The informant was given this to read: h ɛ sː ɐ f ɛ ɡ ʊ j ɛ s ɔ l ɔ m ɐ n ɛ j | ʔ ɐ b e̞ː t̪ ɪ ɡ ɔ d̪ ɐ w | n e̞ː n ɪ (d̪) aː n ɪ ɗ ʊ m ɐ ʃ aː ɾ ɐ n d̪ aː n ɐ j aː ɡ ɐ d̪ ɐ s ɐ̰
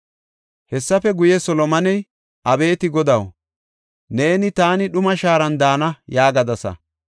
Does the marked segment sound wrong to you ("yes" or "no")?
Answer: yes